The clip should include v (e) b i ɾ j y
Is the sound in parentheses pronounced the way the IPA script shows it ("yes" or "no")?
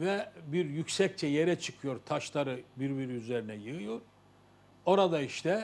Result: no